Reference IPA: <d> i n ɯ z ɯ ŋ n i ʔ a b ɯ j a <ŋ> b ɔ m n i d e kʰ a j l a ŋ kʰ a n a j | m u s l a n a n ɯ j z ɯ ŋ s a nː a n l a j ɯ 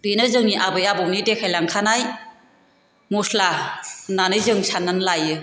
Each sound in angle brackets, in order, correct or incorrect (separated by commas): incorrect, incorrect